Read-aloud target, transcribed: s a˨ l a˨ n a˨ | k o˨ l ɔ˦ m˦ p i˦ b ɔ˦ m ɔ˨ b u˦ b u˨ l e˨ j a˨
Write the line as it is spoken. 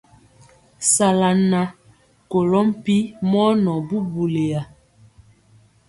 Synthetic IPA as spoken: s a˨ l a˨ n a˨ | k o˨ l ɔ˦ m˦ p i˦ m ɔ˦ n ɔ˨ b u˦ b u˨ l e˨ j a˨